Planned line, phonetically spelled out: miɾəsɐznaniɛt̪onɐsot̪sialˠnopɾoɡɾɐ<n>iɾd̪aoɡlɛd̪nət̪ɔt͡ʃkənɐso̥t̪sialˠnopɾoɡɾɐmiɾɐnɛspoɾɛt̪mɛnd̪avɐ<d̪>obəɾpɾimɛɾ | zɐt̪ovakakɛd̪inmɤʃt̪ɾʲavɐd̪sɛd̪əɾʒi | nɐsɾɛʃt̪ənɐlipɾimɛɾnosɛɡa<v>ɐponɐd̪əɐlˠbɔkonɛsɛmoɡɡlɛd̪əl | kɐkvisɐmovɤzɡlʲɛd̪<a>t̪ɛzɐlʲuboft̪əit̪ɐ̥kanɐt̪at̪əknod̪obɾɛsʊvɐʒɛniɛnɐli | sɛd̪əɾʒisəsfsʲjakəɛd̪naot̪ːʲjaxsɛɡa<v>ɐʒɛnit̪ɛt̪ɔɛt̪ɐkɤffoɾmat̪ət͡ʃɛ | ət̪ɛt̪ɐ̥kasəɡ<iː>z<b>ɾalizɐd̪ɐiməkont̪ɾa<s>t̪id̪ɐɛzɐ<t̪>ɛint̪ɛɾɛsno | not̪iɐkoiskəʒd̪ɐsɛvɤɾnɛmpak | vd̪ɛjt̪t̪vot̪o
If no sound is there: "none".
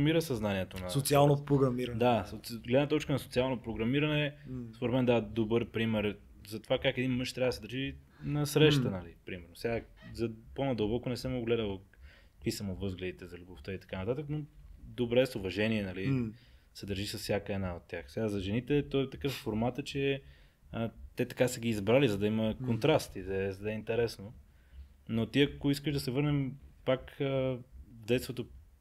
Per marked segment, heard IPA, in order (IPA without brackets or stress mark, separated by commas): m, d̪, z, i, z, iː, b, s, d̪